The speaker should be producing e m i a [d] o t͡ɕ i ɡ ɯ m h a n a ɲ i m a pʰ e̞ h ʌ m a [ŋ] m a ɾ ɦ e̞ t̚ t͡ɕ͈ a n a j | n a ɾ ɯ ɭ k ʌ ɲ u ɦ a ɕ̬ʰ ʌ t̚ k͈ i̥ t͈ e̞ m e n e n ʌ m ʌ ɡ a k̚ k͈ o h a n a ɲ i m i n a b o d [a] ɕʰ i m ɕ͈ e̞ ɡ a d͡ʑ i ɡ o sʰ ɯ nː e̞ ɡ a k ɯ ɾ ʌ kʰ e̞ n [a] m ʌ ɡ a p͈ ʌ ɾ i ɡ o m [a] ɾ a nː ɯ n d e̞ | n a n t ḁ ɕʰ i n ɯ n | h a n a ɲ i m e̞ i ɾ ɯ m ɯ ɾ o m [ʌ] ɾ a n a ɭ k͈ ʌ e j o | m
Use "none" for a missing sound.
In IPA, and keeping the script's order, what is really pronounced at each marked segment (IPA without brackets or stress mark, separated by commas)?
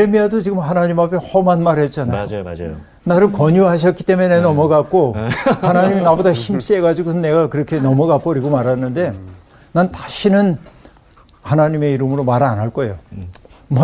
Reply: d, n, a, ʌ, a, a